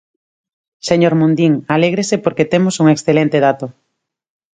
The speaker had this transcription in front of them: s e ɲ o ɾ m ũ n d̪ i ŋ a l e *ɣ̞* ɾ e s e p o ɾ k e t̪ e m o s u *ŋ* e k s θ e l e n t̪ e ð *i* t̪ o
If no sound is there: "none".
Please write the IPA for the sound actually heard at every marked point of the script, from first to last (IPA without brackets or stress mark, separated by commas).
ɣ̞, ŋ, a